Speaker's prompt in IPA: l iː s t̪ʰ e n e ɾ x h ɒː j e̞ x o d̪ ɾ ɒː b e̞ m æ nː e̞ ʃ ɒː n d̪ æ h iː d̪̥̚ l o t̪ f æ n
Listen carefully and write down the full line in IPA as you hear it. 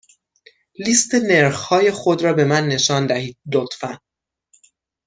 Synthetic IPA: l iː s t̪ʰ e n e ɾ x h ɒː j e̞ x o d̪ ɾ ɒː b e̞ m æ nː e̞ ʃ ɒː n d̪ æ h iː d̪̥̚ l o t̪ f æ n